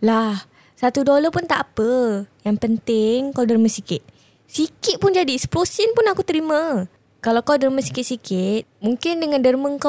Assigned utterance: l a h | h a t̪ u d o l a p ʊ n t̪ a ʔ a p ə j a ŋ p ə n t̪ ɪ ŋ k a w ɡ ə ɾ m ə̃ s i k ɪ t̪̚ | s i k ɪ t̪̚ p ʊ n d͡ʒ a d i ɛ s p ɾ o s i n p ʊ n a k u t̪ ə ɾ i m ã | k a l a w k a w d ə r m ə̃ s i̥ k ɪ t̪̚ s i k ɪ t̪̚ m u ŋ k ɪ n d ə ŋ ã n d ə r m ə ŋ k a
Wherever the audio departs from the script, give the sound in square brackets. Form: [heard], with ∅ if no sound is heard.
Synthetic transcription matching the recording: l a h | [s] a t̪ u d o l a p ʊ n t̪ a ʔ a p ə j a ŋ p ə n t̪ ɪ ŋ k a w [d] ə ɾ m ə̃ s i k ɪ t̪̚ | s i k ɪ t̪̚ p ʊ n d͡ʒ a d i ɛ s p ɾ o s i n p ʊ n a k u t̪ ə ɾ i m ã | k a l a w k a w d ə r m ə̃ s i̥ k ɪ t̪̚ s i k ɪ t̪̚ m u ŋ k ɪ n d ə ŋ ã n d ə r m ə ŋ k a